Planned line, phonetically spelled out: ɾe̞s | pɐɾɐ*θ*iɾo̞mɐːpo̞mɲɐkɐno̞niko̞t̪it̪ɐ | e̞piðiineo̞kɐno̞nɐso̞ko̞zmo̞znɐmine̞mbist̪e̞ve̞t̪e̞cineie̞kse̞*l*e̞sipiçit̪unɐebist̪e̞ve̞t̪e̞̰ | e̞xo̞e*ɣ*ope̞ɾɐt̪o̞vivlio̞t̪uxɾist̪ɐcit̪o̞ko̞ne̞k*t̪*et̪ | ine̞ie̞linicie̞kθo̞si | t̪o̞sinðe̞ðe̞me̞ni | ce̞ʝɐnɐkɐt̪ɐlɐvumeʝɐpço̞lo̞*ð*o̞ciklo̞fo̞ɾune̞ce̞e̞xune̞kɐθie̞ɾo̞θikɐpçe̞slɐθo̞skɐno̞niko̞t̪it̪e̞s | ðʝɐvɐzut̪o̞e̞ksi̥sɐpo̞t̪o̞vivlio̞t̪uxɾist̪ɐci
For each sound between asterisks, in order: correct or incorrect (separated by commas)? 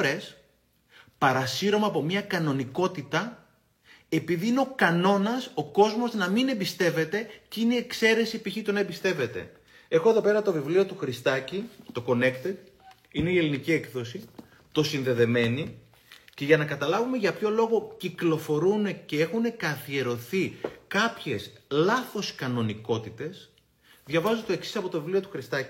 incorrect, incorrect, incorrect, correct, incorrect